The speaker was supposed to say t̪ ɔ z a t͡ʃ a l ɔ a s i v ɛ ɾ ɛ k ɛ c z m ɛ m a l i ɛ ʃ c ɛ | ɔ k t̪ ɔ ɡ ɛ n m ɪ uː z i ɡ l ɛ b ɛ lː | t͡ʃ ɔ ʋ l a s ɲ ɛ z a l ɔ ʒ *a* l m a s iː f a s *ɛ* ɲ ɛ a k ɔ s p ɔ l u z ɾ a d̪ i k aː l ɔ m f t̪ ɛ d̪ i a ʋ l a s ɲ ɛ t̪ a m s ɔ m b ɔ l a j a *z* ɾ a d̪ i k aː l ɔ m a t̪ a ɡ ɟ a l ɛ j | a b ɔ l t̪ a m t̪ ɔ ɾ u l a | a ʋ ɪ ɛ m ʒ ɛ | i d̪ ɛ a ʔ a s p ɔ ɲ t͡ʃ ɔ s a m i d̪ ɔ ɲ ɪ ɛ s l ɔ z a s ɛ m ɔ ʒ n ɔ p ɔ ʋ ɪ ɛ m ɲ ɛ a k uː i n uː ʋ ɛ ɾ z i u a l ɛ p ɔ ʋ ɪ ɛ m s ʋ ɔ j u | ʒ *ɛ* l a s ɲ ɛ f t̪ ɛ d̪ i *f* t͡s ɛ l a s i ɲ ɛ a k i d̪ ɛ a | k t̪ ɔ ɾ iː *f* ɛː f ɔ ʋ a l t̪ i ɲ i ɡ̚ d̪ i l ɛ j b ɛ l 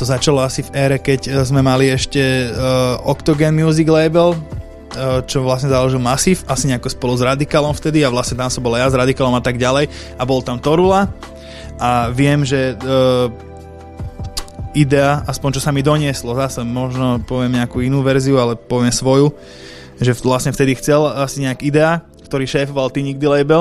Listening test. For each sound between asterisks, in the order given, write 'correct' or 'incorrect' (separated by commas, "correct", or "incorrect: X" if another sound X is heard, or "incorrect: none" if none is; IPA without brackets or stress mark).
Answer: incorrect: i, incorrect: i, correct, correct, incorrect: x, incorrect: ʃ